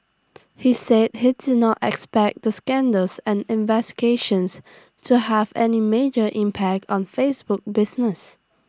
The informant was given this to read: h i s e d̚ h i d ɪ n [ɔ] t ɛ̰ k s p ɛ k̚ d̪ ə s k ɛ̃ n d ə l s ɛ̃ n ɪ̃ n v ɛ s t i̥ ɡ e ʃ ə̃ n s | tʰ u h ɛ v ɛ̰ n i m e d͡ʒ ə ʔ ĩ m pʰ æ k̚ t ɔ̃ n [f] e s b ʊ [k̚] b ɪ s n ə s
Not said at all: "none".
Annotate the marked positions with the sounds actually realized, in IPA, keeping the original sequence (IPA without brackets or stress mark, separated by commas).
ɔ, f, k̚